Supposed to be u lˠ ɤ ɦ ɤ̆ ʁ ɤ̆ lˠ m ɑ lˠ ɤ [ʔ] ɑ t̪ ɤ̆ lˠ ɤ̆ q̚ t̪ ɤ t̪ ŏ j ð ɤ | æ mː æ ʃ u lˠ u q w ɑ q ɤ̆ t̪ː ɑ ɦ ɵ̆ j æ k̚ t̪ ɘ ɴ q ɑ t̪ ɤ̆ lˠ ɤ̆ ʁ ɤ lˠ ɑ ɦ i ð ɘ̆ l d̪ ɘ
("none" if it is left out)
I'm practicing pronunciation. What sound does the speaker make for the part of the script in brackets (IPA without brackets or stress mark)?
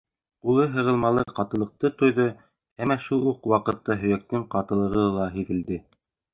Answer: q